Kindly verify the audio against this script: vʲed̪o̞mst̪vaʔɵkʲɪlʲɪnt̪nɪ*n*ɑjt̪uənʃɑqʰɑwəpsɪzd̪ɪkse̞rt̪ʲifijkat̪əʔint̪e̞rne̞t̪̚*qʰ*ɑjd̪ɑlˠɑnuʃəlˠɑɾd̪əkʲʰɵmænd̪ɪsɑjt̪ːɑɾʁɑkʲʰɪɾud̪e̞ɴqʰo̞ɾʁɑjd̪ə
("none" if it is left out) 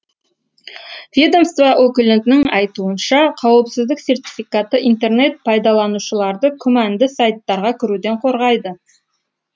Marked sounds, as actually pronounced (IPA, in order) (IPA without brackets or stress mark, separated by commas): ŋ, pʰ